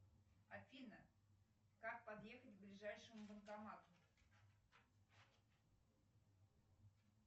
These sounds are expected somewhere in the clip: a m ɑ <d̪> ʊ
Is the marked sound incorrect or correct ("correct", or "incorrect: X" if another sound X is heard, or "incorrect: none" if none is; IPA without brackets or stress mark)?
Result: incorrect: t̪